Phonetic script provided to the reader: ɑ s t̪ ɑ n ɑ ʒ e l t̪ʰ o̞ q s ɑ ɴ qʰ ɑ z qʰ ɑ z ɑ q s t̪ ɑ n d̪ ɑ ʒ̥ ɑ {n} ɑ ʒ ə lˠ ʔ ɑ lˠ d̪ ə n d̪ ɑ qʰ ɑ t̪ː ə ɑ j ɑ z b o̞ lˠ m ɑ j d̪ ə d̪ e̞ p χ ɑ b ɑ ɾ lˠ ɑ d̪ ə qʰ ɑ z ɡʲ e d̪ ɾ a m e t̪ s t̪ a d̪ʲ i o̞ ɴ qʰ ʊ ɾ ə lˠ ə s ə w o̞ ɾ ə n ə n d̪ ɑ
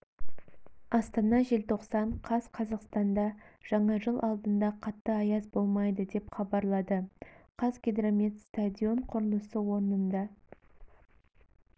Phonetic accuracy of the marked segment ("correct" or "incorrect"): incorrect